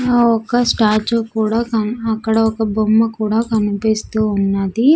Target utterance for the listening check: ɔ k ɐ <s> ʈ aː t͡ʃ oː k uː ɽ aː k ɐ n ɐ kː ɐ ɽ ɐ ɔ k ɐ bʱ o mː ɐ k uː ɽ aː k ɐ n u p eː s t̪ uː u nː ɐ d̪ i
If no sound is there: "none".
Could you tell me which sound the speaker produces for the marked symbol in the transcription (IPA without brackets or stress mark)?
s